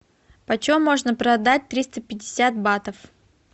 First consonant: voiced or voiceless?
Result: voiceless